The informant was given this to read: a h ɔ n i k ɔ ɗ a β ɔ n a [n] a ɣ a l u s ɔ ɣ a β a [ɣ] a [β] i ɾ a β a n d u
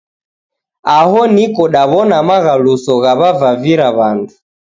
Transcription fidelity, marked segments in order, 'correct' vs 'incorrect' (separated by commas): incorrect, incorrect, incorrect